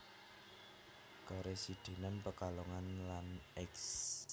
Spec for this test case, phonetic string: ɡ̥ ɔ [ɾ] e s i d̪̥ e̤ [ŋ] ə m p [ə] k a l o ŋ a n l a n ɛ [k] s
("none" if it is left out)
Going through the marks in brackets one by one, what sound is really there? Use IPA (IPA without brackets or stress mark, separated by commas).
ɾ, n, ə, k